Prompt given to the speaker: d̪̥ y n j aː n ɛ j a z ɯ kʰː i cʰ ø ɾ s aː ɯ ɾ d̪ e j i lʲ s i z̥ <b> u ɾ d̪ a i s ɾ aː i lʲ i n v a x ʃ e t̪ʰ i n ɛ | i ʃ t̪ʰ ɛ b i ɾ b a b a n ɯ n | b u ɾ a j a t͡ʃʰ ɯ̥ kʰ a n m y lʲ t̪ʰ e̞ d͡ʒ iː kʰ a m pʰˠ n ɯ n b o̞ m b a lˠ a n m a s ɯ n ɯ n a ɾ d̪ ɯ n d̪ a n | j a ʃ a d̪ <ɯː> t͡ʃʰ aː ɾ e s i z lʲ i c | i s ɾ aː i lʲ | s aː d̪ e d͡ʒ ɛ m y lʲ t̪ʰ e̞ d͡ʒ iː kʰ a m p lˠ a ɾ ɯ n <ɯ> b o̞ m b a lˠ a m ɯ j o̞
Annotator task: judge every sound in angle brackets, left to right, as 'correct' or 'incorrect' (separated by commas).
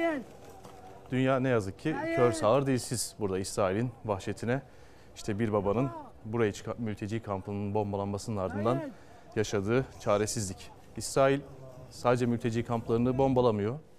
correct, correct, correct